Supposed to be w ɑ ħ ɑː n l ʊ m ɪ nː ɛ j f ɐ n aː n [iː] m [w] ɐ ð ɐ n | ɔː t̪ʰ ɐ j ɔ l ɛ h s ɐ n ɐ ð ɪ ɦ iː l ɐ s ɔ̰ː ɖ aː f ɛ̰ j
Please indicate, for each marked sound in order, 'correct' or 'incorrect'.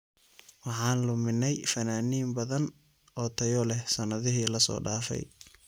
correct, incorrect: b

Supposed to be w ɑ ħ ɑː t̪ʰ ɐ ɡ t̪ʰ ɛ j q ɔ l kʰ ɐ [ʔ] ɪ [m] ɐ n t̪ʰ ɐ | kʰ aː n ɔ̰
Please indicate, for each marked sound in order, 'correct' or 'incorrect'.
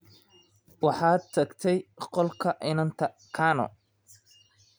correct, incorrect: n

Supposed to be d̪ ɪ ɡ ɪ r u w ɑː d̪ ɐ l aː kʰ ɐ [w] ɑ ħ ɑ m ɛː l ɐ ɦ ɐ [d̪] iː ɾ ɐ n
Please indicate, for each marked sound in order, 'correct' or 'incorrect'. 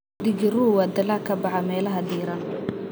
incorrect: b, correct

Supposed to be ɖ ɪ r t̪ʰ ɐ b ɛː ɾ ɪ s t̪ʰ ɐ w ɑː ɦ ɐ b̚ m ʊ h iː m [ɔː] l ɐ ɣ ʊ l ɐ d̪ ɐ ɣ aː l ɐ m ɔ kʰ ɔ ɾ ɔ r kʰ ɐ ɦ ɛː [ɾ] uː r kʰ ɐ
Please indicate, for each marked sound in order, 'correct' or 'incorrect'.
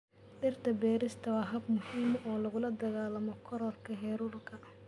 correct, correct

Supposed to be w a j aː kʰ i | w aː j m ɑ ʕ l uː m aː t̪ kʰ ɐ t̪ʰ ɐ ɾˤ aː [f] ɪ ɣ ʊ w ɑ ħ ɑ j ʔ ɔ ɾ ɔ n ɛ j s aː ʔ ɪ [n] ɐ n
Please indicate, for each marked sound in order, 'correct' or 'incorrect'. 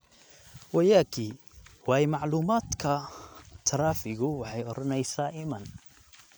correct, incorrect: m

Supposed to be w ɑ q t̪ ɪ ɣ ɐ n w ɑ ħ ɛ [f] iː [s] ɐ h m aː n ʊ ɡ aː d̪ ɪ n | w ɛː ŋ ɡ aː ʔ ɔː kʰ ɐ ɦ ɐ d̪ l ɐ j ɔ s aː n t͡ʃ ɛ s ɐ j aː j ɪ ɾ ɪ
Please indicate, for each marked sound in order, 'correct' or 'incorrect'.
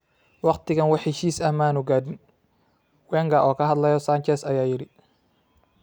incorrect: ʃ, correct

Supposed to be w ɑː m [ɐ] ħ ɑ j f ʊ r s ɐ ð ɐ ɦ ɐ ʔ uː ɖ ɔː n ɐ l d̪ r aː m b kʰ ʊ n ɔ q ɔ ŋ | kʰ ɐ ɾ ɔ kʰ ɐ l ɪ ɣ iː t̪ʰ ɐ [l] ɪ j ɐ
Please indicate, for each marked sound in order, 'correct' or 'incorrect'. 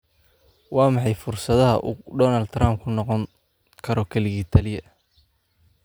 incorrect: ɑ, correct

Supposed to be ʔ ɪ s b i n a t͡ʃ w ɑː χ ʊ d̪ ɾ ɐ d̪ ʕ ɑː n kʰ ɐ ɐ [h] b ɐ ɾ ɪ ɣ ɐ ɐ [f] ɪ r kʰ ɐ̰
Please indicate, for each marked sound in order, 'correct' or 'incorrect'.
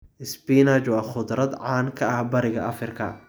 correct, correct

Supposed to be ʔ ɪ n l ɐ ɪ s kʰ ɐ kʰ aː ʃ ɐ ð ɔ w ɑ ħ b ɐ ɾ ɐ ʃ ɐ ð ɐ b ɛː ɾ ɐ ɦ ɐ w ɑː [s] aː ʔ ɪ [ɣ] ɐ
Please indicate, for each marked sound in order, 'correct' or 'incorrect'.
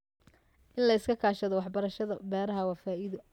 incorrect: f, incorrect: ð

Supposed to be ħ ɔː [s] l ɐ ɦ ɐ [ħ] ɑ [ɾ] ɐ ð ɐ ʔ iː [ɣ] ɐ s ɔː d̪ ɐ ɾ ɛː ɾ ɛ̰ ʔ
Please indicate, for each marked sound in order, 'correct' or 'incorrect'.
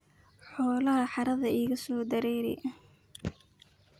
incorrect: none, correct, correct, correct

